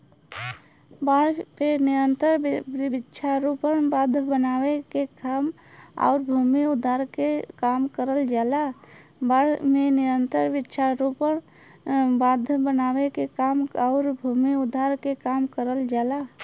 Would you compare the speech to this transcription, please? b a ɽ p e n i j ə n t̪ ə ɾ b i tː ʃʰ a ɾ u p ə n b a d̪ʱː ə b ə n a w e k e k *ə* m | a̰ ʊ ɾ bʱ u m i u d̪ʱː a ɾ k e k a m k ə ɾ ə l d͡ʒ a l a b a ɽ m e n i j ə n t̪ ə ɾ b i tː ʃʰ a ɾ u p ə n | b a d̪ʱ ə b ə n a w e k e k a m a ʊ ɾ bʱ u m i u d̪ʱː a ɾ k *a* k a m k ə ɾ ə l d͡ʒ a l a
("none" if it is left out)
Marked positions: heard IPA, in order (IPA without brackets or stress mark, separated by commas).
a, e